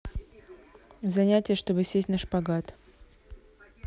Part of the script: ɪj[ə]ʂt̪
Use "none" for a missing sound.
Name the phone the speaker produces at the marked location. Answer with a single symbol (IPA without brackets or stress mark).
ə